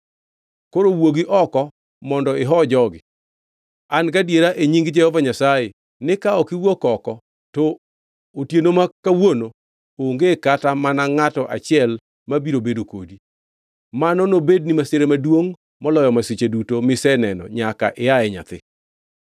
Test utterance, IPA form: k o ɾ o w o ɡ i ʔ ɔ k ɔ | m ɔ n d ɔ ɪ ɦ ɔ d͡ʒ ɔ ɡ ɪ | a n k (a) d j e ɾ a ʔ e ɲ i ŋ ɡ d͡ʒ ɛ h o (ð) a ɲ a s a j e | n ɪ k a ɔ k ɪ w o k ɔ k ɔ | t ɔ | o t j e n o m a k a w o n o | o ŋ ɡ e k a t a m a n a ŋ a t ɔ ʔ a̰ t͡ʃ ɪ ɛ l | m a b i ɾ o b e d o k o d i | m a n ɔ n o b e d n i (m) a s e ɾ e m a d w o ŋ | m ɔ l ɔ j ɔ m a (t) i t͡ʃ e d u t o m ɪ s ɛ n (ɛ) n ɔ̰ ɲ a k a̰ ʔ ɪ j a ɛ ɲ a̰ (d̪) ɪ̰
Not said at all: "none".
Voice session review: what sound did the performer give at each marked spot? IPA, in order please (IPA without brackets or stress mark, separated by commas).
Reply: a, v, m, s, ɛ, t̪